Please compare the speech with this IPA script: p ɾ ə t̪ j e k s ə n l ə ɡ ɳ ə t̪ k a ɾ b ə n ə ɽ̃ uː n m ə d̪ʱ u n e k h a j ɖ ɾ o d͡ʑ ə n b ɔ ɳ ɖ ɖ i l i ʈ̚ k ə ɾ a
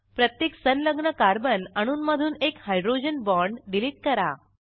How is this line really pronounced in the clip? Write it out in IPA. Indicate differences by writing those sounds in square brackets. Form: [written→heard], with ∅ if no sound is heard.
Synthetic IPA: p ɾ ə t̪ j e k s ə n l ə ɡ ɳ ə [t̪→∅] k a ɾ b ə n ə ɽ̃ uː n m ə d̪ʱ [u→uː] n e k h a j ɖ ɾ o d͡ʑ ə n b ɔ ɳ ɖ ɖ i l i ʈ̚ k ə ɾ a